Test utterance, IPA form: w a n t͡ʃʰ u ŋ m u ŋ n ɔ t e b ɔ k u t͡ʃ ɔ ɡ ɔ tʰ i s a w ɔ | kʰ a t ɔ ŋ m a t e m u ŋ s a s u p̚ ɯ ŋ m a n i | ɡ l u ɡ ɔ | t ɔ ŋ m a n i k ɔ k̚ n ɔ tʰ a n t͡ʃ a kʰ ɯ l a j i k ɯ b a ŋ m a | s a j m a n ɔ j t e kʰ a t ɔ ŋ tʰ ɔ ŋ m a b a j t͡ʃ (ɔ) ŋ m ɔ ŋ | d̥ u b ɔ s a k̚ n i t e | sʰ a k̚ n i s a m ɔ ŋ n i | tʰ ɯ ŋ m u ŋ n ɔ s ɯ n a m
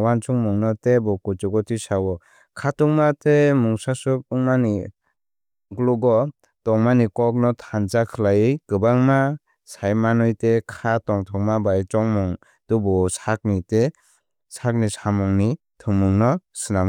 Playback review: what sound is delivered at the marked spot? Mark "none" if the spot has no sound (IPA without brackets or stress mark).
ɔ